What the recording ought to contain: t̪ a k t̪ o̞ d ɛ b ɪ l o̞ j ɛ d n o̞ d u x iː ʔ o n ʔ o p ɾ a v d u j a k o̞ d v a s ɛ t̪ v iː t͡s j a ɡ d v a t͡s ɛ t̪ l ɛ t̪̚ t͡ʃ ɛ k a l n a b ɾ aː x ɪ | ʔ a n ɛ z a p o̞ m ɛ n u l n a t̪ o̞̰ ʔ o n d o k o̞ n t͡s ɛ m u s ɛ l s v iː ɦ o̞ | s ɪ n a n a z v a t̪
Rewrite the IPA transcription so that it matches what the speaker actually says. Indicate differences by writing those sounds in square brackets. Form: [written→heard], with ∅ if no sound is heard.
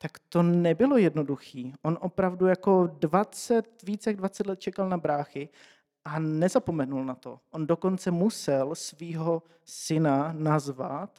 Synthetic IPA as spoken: t̪ a k t̪ o̞ [d→n] ɛ b ɪ l o̞ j ɛ d n o̞ d u x iː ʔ o n ʔ o p ɾ a v d u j a k o̞ d v a [s→t͡s] ɛ t̪ v iː t͡s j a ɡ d v a t͡s ɛ t̪ l ɛ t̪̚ t͡ʃ ɛ k a l n a b ɾ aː x ɪ | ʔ a n ɛ z a p o̞ m ɛ n u l n a t̪ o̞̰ ʔ o n d o k o̞ n t͡s ɛ m u s ɛ l s v iː ɦ o̞ | s ɪ n a n a z v a t̪